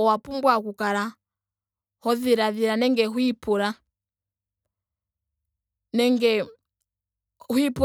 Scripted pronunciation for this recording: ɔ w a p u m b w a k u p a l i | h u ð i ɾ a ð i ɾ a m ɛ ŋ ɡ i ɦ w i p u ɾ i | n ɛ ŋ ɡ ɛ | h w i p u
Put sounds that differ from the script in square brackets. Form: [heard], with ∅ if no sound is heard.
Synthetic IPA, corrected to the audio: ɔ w a p u m b w a k u [k] a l [a] | h [ɔ] ð i ɾ a ð i ɾ a [n] ɛ ŋ ɡ [ɛ] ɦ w i p u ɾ [a] | n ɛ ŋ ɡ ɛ | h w i p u